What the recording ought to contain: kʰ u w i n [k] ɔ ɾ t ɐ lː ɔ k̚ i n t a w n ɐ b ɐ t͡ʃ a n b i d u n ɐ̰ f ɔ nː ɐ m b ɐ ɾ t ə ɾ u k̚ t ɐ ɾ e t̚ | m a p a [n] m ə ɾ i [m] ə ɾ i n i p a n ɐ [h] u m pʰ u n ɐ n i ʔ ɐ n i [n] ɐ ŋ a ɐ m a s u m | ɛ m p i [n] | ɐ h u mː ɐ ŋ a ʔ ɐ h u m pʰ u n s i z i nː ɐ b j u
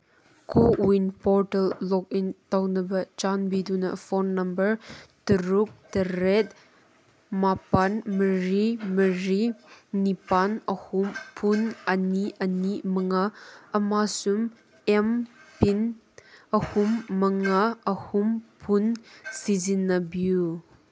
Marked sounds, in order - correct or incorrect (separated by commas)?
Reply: incorrect, correct, correct, correct, incorrect, correct